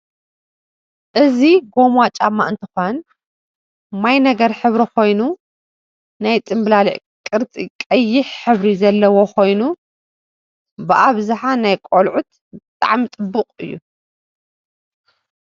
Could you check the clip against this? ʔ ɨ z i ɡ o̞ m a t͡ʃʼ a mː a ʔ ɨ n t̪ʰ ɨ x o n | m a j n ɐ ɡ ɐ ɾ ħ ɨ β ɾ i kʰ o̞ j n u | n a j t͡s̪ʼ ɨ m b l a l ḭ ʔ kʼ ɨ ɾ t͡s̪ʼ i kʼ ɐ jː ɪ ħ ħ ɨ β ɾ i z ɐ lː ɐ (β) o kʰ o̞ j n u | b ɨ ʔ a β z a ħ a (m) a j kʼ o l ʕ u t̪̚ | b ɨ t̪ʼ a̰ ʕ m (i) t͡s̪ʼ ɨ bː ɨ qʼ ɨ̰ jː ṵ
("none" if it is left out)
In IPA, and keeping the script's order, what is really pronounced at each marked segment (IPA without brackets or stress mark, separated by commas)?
w, n, i